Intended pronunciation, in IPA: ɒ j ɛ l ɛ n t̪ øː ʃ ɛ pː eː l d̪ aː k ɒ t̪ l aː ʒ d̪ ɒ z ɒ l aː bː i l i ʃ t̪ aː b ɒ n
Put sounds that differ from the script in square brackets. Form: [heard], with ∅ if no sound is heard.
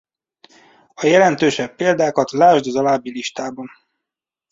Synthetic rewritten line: ɒ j ɛ l ɛ n t̪ øː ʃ ɛ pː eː l d̪ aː k ɒ t̪ l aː ʒ d̪ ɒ z ɒ l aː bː i l i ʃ t̪ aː b ɒ n